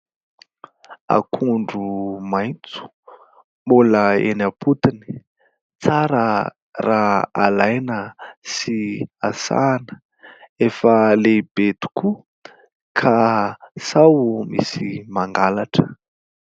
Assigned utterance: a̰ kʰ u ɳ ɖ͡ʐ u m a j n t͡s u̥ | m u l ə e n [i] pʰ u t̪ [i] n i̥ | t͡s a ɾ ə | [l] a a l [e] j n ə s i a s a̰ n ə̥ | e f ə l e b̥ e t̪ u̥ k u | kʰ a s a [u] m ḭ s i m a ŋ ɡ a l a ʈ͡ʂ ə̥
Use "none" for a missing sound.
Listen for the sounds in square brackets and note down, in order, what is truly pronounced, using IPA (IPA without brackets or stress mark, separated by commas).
a, i, r, a, w